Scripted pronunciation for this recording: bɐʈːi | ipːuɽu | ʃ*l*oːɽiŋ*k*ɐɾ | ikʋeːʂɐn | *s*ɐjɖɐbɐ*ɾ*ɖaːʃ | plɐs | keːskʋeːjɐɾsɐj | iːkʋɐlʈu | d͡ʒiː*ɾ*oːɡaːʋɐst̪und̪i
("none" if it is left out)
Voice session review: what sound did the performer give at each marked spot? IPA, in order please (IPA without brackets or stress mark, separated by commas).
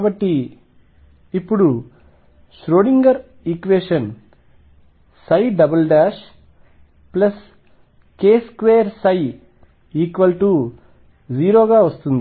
ɾ, ɡ, s, l, ɾ